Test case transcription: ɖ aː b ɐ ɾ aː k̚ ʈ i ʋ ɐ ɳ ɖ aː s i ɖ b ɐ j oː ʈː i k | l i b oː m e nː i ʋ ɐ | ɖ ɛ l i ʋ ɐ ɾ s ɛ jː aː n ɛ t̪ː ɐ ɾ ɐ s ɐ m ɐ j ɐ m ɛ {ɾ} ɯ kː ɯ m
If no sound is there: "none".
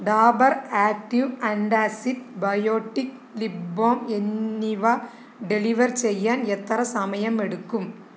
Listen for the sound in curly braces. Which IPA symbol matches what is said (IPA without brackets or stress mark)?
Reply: ɽ